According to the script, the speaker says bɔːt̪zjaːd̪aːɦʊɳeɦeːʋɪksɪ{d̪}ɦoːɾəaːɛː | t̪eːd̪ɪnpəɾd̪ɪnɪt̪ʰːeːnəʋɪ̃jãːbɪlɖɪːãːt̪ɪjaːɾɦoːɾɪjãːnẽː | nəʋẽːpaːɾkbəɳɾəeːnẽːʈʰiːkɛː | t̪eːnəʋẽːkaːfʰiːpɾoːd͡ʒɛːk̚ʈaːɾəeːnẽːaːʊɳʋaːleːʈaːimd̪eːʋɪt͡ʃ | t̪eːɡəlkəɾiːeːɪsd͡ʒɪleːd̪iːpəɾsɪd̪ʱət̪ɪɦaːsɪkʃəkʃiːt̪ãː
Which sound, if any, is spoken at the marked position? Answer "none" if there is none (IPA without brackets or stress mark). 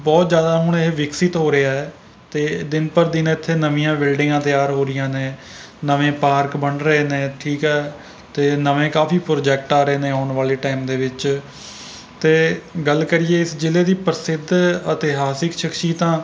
t̪